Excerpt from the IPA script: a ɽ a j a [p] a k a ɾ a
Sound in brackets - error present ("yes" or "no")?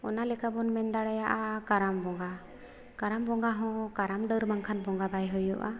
yes